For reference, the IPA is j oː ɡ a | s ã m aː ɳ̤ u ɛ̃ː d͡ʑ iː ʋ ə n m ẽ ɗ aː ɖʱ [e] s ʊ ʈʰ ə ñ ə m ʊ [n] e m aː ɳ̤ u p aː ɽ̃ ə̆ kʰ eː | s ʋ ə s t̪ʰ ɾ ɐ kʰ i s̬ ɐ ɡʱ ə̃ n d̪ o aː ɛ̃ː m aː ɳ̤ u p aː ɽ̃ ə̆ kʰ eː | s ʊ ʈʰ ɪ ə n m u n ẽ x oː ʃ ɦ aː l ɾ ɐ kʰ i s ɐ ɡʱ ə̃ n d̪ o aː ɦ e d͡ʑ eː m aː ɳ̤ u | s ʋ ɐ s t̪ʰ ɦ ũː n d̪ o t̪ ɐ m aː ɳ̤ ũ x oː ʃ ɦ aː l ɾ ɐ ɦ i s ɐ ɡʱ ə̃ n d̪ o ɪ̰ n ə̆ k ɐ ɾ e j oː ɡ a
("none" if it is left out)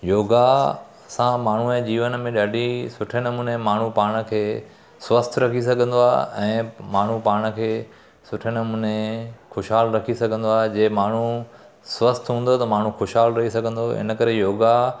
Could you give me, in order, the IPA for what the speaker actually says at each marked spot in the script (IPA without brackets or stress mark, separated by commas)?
i, n